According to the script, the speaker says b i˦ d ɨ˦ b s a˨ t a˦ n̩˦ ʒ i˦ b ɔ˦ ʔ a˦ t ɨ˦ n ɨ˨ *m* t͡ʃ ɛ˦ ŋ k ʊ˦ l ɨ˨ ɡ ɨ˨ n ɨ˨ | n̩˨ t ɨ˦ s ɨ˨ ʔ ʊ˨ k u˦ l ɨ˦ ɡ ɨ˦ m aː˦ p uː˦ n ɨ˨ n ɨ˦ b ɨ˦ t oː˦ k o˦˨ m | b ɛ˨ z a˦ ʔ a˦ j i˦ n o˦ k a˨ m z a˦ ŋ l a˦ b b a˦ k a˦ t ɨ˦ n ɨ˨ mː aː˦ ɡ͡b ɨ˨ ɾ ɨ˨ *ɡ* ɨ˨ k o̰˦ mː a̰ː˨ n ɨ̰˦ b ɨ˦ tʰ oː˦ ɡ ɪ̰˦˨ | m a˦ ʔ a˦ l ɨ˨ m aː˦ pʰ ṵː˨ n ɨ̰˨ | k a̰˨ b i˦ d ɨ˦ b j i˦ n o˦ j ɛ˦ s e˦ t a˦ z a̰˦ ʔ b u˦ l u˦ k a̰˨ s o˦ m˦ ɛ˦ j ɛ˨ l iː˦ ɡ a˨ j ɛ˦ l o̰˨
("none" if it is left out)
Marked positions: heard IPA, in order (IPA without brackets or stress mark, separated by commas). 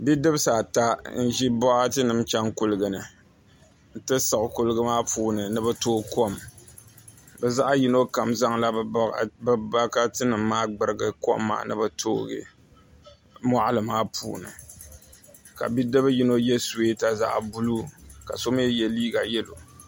m, ɡ